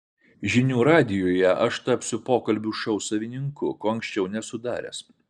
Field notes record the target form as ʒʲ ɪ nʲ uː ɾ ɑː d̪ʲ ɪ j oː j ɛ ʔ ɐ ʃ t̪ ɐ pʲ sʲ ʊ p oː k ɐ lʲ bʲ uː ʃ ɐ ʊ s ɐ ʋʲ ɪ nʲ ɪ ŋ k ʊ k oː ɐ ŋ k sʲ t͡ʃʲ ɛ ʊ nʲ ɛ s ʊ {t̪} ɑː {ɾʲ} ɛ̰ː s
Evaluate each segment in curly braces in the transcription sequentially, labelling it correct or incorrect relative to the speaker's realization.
incorrect, correct

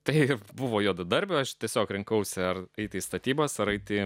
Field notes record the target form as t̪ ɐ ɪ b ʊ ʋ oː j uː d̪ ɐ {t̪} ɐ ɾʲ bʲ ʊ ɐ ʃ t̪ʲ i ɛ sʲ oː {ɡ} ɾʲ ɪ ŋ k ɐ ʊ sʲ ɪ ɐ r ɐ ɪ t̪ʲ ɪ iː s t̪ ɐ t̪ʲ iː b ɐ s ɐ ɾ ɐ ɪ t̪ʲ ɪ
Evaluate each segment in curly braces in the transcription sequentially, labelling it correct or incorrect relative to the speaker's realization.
incorrect, incorrect

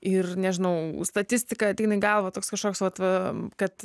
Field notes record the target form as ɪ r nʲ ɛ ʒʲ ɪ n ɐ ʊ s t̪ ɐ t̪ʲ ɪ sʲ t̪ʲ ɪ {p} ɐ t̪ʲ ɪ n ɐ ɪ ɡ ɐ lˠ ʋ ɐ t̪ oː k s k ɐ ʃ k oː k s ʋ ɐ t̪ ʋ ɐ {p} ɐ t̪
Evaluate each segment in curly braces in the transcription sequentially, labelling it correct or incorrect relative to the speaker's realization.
incorrect, incorrect

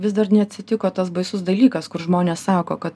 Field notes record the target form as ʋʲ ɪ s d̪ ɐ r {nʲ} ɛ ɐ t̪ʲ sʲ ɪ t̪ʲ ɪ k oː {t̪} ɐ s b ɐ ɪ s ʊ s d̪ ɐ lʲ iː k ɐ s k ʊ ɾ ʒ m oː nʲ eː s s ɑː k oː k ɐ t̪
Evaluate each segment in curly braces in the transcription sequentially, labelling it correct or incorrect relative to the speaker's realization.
correct, correct

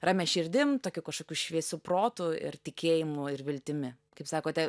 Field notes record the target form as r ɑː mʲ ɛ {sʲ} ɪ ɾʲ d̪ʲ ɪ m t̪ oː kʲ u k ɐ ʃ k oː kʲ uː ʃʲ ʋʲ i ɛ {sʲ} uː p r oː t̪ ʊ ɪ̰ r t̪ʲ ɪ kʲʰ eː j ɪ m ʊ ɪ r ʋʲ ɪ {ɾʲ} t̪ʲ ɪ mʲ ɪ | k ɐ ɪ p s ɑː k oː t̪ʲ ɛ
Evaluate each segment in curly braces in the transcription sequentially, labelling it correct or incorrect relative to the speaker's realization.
incorrect, correct, incorrect

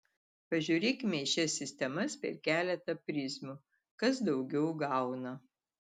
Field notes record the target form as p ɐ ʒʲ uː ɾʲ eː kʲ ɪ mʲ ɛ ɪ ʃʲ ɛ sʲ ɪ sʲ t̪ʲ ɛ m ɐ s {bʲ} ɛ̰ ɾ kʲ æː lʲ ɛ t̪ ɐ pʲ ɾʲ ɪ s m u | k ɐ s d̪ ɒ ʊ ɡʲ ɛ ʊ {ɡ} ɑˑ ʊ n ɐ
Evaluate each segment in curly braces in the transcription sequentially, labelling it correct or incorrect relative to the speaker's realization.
incorrect, correct

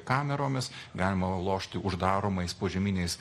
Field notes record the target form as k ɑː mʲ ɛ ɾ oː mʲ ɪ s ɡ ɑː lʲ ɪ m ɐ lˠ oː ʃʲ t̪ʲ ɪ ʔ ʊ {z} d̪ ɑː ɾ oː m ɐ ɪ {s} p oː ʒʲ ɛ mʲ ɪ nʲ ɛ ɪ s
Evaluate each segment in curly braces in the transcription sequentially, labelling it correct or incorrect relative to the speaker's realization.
incorrect, correct

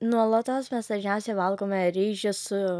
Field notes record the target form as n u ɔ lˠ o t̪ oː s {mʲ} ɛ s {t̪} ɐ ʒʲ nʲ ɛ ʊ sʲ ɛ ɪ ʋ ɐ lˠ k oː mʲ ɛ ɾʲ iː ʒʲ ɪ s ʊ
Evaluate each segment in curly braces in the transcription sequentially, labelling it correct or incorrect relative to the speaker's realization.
correct, incorrect

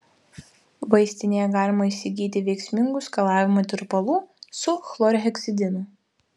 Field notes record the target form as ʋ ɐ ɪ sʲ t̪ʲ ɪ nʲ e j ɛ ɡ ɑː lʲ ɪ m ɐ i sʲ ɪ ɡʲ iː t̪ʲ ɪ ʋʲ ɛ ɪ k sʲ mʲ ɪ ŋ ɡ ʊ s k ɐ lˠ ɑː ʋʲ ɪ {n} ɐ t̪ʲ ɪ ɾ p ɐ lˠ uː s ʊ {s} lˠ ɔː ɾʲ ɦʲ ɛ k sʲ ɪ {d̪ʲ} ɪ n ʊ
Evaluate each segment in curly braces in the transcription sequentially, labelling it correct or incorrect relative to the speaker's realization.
incorrect, incorrect, correct

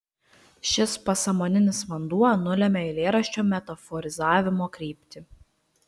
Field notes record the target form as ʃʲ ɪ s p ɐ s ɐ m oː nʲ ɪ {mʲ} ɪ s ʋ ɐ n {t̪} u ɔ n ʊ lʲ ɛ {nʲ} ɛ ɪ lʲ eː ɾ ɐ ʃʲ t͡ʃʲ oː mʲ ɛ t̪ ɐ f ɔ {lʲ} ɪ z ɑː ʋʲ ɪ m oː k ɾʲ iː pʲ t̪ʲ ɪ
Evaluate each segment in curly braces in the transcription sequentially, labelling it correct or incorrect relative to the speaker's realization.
incorrect, incorrect, incorrect, incorrect

